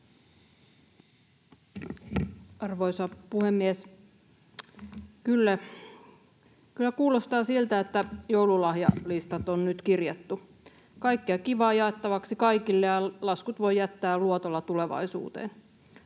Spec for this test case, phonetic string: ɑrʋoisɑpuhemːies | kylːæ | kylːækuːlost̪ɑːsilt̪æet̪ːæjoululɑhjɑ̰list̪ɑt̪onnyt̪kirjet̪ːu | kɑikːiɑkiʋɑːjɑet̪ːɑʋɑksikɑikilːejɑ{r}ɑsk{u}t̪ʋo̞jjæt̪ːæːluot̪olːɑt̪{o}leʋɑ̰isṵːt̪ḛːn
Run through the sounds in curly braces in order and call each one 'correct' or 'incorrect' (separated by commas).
incorrect, correct, incorrect